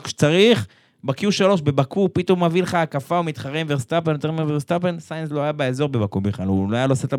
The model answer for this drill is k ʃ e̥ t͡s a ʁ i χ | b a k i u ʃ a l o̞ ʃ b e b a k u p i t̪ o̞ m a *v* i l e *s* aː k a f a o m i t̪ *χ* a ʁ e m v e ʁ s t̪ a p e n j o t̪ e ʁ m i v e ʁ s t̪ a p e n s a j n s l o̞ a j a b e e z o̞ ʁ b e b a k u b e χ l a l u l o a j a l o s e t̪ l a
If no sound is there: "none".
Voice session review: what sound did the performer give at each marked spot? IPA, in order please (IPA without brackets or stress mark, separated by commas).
v, χ, χ